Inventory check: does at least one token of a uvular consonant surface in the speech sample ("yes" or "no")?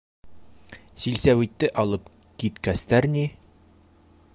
no